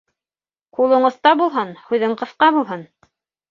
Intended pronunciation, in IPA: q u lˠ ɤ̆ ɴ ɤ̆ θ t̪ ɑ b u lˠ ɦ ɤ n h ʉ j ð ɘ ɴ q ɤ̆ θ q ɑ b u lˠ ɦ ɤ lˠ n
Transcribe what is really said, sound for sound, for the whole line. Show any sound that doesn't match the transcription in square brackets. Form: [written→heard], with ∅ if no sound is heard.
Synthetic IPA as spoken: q u lˠ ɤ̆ ɴ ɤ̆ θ t̪ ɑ b u lˠ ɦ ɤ n h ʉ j ð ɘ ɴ q ɤ̆ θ q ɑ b u lˠ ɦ ɤ [lˠ→∅] n

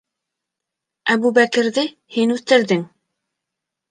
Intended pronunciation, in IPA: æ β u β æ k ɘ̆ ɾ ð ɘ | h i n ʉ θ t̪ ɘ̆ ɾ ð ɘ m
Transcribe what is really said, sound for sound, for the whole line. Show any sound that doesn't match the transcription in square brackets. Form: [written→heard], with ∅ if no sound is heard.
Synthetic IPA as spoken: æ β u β æ k ɘ̆ ɾ ð ɘ | h i n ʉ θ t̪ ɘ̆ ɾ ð ɘ [m→ŋ]

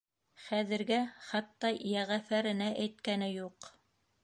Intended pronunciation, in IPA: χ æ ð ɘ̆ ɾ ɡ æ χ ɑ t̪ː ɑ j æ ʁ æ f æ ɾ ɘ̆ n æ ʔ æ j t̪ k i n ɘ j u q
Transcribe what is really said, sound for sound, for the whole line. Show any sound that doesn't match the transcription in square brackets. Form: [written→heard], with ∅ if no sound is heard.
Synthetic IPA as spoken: χ æ ð ɘ̆ ɾ ɡ æ χ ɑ t̪ː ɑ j æ ʁ æ f æ ɾ ɘ̆ n æ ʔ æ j t̪ k [i→æ] n ɘ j u q

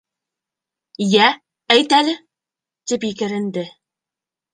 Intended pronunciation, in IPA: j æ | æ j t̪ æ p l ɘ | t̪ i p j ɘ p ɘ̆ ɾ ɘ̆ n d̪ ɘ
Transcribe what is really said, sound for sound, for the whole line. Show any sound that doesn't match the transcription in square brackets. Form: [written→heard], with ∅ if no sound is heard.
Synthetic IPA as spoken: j æ | æ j t̪ æ [p→∅] l ɘ | t̪ i p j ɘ [p→k] ɘ̆ ɾ ɘ̆ n d̪ ɘ

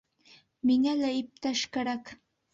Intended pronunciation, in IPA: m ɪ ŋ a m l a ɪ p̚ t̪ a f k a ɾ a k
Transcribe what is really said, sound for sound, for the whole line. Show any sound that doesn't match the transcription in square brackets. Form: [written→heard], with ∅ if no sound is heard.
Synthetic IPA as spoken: m ɪ ŋ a [m→∅] l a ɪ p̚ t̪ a [f→ʃ] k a ɾ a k

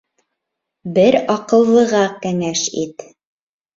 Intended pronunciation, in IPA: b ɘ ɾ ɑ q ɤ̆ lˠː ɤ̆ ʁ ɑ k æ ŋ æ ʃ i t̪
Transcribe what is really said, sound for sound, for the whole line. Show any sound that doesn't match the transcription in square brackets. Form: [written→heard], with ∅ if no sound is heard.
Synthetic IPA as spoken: b ɘ ɾ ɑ q ɤ̆ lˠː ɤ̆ ʁ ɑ k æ ŋ æ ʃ i t̪

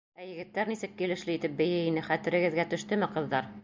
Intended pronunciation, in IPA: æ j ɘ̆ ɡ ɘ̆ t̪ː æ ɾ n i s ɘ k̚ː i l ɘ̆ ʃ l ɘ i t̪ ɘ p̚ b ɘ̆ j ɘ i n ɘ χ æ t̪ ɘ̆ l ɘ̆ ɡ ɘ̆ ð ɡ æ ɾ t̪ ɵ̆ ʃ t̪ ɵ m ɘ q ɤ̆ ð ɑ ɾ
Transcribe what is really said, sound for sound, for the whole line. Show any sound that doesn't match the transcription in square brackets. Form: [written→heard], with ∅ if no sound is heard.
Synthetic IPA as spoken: æ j ɘ̆ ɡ ɘ̆ t̪ː æ ɾ n i s ɘ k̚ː i l ɘ̆ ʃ l ɘ i t̪ ɘ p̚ b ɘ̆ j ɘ i n ɘ χ æ t̪ ɘ̆ [l→ɾ] ɘ̆ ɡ ɘ̆ ð ɡ æ [ɾ→∅] t̪ ɵ̆ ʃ t̪ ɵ m ɘ q ɤ̆ [ð→ðː] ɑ ɾ

